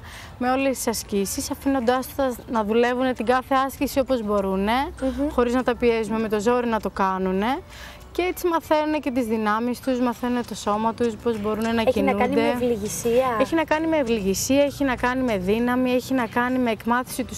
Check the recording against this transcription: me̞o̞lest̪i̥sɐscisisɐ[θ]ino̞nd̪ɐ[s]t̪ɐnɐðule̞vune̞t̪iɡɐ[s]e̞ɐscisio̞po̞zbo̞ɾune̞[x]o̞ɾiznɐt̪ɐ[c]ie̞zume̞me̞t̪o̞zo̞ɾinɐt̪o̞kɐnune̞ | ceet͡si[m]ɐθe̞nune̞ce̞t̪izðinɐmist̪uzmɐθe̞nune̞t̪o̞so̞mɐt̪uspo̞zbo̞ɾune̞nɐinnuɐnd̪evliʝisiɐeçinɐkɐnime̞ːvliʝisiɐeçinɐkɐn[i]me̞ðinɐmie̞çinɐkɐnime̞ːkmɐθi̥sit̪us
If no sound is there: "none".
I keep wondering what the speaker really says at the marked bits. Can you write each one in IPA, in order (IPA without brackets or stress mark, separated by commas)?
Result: f, s, θ, x, p, m, i